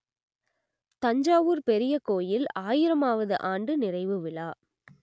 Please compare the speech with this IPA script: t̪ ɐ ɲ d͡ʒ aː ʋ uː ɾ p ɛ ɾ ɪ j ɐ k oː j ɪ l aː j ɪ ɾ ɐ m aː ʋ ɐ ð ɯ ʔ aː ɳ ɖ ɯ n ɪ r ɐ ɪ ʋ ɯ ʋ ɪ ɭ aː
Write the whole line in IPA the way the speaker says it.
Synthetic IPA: t̪ ɐ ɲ d͡ʒ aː ʋ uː ɾ p ɛ ɾ ɪ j ɐ k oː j ɪ l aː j ɪ ɾ ɐ m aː ʋ ɐ ð ɯ ʔ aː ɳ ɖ ɯ n ɪ r ɐ ɪ ʋ ɯ ʋ ɪ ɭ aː

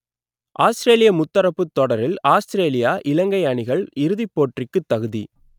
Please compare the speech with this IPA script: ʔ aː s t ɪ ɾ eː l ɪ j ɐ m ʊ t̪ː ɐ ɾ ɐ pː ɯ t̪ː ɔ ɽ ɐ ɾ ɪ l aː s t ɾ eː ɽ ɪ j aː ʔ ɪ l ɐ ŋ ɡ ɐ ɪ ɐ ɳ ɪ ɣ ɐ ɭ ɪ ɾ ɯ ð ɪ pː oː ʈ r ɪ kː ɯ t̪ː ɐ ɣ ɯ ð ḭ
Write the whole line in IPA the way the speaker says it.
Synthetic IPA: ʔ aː s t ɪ ɾ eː l ɪ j ɐ m ʊ t̪ː ɐ ɾ ɐ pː ɯ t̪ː ɔ ɽ ɐ ɾ ɪ l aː s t ɾ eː l ɪ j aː ʔ ɪ l ɐ ŋ ɡ ɐ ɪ ɐ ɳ ɪ ɣ ɐ ɭ ɪ ɾ ɯ ð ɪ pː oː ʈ r ɪ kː ɯ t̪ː ɐ ɣ ɯ ð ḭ

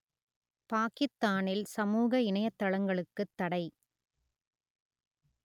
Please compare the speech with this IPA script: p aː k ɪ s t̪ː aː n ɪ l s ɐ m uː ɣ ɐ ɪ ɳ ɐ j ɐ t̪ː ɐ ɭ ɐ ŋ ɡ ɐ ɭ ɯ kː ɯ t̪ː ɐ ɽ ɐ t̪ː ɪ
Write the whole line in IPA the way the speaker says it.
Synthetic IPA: p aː k ɪ s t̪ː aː n ɪ l s ɐ m uː ɣ ɐ ɪ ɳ ɐ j ɐ t̪ː ɐ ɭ ɐ ŋ ɡ ɐ ɭ ɯ kː ɯ t̪ː ɐ ɽ ɐ ɪ

